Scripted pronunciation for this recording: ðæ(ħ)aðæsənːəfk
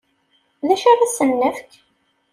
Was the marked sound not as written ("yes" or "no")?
yes